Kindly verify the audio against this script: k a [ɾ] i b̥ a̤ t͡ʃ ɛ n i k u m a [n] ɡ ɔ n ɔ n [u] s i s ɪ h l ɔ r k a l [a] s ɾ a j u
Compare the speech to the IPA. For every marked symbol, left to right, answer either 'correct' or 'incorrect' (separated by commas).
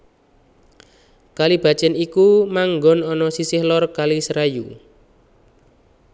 incorrect, incorrect, incorrect, incorrect